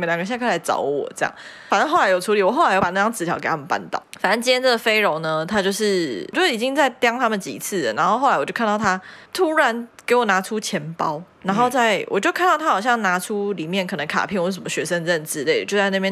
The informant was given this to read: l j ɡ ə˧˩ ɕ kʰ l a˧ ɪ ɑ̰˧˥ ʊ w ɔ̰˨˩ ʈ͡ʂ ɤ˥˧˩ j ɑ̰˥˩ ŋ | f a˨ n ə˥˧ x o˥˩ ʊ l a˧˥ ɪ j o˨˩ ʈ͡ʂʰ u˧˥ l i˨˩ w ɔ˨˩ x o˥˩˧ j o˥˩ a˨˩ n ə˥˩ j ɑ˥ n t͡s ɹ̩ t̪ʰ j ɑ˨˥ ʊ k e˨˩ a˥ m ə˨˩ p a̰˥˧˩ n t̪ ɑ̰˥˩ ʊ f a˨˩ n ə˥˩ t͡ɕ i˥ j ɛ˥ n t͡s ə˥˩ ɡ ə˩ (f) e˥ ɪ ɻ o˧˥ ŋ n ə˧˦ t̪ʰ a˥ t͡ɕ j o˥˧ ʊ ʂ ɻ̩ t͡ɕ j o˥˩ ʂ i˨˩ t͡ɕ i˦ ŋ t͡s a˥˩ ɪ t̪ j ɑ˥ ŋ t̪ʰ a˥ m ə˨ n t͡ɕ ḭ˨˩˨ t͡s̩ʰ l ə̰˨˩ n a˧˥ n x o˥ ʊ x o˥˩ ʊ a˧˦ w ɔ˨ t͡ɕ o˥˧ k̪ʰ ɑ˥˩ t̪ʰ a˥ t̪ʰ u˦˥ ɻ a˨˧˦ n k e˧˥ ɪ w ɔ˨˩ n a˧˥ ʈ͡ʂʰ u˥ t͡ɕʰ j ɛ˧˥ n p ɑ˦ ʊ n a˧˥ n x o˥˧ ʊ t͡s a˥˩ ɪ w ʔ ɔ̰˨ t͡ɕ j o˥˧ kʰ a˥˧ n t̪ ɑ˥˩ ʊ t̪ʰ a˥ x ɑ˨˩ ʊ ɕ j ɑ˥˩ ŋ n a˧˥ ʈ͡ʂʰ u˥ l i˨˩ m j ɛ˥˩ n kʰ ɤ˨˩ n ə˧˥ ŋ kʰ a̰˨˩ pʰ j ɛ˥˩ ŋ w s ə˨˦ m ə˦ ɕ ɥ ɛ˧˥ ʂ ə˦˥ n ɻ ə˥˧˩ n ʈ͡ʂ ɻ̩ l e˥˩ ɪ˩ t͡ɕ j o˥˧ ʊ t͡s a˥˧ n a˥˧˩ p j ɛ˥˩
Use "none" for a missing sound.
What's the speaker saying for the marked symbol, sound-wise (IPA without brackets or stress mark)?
f